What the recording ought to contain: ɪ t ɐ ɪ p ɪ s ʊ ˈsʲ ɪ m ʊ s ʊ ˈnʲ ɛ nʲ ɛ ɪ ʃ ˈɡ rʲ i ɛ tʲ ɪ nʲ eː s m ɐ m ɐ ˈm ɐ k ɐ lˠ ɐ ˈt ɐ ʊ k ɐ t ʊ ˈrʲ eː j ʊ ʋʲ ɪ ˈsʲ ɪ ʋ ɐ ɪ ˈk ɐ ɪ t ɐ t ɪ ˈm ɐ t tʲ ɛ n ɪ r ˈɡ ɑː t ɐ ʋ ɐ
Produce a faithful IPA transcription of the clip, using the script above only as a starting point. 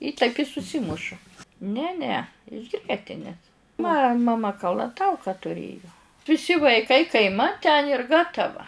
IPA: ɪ t ɐ ɪ p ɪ s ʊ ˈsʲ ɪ m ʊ ʃ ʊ ˈnʲ ɛ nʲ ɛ ɪ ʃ ˈɡ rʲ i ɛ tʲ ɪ nʲ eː s m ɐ m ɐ ˈm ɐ k ɐ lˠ ɐ ˈt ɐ ʊ k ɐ t ʊ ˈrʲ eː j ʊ ʋʲ ɪ ˈsʲ ɪ ʋ ɐ ɪ ˈk ɐ ɪ k ɐ ɪ ˈm ɐ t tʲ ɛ n ɪ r ˈɡ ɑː t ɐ ʋ ɐ